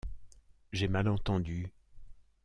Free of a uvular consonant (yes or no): yes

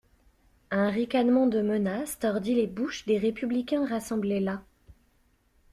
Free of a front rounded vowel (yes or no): no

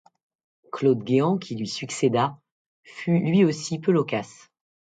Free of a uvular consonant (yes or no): yes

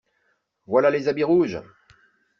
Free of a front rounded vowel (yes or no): yes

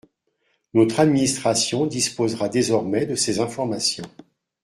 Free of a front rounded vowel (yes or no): yes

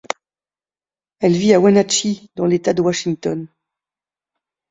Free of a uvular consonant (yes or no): yes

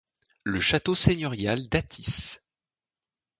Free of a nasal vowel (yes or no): yes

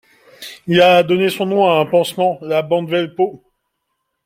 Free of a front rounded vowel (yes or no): yes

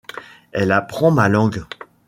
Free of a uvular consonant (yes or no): no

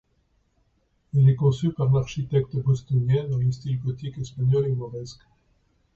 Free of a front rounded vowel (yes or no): no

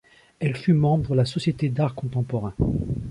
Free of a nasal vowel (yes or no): no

